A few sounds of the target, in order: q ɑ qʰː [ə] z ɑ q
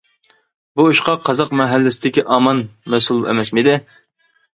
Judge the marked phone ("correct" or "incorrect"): incorrect